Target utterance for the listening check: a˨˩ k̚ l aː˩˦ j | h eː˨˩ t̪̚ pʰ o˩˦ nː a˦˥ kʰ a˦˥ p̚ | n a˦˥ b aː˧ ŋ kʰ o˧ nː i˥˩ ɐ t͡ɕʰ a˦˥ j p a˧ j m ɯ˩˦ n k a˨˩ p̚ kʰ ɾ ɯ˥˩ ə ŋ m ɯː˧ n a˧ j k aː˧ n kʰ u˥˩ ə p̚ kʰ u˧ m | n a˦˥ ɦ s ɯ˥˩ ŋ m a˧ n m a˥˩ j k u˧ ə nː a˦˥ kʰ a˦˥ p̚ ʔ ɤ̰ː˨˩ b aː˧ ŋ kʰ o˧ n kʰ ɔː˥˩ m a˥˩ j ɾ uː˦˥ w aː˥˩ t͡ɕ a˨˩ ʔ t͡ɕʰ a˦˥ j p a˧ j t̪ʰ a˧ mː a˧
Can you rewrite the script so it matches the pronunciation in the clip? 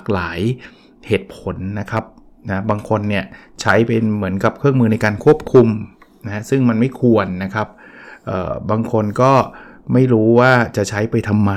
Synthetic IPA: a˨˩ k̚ l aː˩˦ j | h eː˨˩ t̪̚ pʰ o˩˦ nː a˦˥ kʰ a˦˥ p̚ | n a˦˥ b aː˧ ŋ kʰ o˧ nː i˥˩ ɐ t͡ɕʰ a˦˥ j p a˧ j m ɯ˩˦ n k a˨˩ p̚ kʰ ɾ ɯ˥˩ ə ŋ m ɯː˧ n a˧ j k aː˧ n kʰ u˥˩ ə p̚ kʰ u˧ m | n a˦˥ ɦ s ɯ˥˩ ŋ m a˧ n m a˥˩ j kʰ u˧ ə nː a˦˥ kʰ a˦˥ p̚ ʔ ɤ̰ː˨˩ b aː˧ ŋ kʰ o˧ n k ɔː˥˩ m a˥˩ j ɾ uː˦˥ w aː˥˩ t͡ɕ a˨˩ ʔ t͡ɕʰ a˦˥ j p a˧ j t̪ʰ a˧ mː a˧